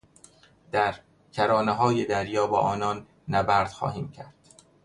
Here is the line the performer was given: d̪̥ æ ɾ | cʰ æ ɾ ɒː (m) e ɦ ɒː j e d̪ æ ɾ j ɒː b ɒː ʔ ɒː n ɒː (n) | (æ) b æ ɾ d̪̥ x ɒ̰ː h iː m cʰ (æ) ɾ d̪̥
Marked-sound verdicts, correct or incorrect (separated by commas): incorrect, incorrect, correct, correct